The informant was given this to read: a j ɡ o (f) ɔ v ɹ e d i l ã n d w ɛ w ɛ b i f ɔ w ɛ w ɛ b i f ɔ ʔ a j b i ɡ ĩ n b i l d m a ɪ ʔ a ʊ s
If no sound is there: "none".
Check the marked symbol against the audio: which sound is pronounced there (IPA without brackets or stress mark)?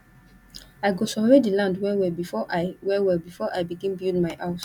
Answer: s